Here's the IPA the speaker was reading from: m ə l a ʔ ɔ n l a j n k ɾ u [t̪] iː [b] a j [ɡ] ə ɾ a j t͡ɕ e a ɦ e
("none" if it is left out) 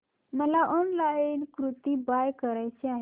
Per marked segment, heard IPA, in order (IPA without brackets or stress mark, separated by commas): t̪, b, k